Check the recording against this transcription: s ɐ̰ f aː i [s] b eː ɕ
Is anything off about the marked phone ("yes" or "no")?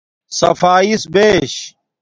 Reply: no